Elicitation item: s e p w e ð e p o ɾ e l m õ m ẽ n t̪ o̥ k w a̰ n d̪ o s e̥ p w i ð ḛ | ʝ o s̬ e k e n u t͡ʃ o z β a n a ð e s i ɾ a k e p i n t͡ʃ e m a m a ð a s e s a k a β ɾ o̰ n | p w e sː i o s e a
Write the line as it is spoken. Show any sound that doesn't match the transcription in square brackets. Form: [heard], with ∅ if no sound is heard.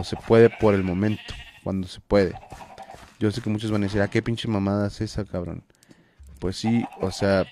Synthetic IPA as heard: s e p w e ð e p o ɾ e l m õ m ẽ n t̪ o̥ k w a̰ n d̪ o s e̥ p w [e] ð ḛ | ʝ o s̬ e k e [m] u t͡ʃ o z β a n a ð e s i ɾ a k e p i n t͡ʃ e m a m a ð a s e s a k a β ɾ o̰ n | p w e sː i o s e a